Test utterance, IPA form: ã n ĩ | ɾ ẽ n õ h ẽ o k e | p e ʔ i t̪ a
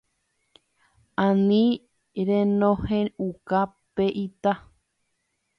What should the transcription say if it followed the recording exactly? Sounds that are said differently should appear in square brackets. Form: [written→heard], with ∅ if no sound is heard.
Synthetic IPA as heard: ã n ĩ | ɾ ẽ n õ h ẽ [o→u] k [e→a] | p e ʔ i t̪ a